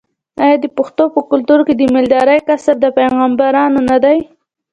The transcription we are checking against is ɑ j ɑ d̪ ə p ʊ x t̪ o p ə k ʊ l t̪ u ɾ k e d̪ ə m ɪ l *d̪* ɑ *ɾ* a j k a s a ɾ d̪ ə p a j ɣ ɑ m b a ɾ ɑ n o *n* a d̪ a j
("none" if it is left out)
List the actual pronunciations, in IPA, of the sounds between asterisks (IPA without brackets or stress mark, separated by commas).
d̪, ɾ, n